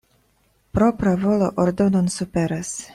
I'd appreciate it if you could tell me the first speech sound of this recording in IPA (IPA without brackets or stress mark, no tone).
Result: p